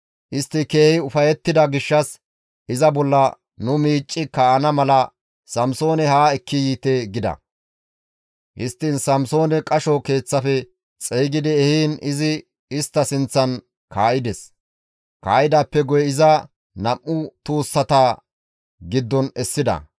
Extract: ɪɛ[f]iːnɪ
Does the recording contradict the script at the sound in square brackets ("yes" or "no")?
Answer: yes